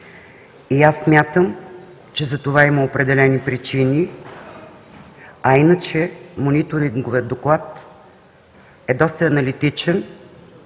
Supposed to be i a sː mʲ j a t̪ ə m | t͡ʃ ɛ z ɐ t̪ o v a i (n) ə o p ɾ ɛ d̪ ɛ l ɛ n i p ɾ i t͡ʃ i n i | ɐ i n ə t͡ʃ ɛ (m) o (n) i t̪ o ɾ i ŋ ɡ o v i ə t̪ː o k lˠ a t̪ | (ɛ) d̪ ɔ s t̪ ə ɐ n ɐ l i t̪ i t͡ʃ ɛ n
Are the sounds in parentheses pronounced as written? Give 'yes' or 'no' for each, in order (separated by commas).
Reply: no, yes, yes, yes